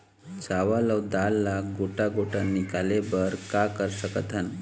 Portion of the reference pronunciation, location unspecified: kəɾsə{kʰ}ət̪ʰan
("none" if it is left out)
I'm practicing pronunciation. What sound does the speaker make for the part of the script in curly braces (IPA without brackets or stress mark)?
k